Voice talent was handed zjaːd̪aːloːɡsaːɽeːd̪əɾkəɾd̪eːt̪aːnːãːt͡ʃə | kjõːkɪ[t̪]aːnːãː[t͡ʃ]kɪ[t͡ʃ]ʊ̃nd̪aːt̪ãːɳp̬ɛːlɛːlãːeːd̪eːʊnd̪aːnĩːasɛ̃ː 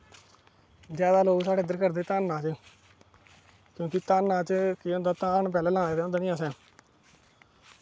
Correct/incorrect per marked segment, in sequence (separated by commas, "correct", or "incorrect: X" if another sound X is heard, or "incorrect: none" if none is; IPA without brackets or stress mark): correct, correct, incorrect: none